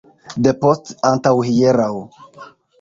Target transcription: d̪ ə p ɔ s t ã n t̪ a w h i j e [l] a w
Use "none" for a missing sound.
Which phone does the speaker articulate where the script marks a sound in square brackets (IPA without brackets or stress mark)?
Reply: ɾ